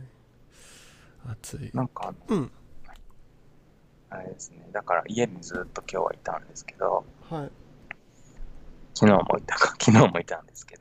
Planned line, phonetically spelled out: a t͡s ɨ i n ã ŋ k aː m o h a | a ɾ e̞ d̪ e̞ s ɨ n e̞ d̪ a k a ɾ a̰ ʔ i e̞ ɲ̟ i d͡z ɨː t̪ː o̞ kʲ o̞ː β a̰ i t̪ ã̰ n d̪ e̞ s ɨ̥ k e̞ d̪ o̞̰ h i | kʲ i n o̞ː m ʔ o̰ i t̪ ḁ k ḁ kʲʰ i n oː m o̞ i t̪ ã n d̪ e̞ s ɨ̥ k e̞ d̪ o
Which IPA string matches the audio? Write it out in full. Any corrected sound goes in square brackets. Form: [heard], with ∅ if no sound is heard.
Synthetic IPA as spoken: a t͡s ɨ i n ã ŋ k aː [n] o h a | a ɾ e̞ d̪ e̞ s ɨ n e̞ d̪ a k a ɾ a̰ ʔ i e̞ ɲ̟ i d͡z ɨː t̪ː o̞ kʲ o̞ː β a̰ i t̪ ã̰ n d̪ e̞ s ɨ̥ k e̞ d̪ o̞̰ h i | kʲ i n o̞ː m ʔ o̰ i t̪ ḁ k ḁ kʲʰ i n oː m o̞ i t̪ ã n d̪ e̞ s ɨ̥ k e̞ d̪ o